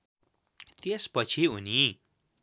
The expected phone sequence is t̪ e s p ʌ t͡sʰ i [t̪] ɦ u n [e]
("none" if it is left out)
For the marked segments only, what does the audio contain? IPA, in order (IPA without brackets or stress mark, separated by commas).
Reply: none, i